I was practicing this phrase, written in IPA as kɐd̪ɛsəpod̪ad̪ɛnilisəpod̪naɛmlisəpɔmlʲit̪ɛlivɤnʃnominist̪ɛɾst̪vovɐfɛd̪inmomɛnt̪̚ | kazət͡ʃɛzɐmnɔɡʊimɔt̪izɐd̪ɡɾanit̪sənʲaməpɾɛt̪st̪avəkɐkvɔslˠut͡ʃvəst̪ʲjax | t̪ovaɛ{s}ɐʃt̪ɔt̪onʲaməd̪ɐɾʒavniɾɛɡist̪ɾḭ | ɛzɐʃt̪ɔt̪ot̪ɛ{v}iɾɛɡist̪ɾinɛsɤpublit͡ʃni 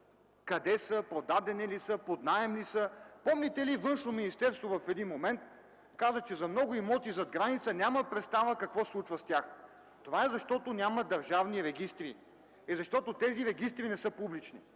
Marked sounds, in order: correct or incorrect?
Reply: incorrect, incorrect

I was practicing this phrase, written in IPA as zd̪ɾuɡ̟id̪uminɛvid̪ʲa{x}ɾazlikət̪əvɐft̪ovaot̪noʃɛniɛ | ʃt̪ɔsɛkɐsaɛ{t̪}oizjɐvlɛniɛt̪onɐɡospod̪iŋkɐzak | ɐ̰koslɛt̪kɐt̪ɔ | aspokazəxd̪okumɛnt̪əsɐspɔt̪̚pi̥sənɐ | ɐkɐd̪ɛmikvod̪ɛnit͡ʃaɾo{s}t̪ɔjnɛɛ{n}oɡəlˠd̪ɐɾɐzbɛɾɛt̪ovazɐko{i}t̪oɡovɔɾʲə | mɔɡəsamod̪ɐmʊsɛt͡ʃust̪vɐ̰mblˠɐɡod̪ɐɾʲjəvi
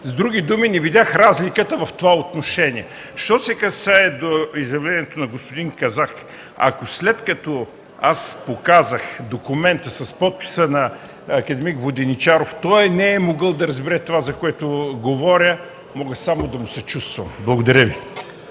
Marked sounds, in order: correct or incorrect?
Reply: correct, incorrect, incorrect, incorrect, incorrect

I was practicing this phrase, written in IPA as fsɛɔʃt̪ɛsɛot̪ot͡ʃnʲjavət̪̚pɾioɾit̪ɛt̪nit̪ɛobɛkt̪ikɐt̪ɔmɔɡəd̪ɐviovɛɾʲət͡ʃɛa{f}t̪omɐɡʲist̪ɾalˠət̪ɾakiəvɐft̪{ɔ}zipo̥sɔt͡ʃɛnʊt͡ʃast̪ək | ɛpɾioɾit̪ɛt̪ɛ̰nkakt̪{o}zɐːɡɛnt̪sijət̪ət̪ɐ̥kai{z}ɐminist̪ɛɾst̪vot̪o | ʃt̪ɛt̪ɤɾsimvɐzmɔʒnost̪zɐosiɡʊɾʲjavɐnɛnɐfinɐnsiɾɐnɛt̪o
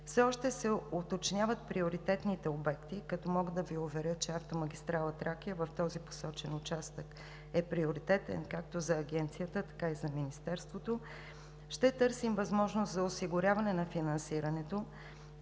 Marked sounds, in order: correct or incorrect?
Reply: correct, correct, correct, correct

